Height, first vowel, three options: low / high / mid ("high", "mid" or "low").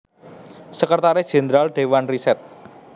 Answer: mid